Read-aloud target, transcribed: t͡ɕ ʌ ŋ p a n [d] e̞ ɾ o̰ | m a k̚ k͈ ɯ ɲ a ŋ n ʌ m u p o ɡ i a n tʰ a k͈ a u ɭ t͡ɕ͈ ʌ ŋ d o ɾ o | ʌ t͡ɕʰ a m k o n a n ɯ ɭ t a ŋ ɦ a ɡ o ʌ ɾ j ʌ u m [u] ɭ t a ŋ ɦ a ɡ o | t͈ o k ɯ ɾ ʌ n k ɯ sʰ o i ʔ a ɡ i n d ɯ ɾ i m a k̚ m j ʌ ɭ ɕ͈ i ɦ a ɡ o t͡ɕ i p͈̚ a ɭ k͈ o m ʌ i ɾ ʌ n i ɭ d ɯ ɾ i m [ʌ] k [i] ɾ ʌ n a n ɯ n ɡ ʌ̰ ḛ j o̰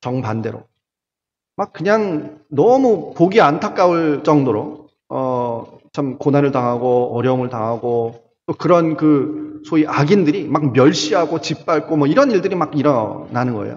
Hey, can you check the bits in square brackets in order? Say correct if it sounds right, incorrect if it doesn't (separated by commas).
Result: correct, incorrect, incorrect, correct